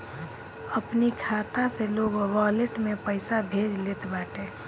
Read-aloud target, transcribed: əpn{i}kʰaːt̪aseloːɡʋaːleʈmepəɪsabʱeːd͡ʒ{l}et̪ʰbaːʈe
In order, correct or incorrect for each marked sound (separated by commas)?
correct, correct